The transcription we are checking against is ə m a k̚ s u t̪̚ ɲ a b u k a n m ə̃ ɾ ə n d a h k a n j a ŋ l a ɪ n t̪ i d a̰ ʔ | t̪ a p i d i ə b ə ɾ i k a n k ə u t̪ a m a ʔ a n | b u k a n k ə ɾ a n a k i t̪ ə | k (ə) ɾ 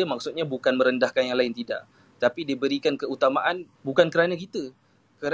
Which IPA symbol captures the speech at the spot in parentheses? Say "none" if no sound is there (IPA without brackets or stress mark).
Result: ə